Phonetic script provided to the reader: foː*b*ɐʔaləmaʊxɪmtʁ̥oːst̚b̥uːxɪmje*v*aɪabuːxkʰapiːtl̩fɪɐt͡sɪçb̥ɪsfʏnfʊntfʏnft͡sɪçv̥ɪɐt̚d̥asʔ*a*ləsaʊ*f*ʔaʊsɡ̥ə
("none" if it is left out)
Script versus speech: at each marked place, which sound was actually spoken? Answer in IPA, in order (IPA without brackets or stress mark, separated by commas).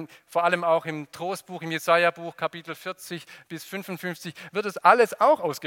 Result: none, z, a, x